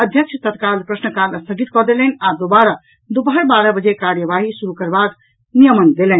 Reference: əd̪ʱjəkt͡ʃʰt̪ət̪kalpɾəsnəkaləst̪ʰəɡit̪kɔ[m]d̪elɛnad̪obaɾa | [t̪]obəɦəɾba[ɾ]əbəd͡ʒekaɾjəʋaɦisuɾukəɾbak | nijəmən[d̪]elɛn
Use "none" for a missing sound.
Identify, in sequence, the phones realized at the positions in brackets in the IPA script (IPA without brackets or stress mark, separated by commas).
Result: none, d̪, ɾ, d̪